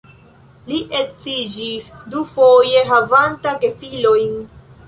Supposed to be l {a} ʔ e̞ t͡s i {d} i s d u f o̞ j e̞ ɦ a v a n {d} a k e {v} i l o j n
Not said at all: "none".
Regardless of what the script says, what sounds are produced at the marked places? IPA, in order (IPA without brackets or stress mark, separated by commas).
i, d͡ʒ, t, f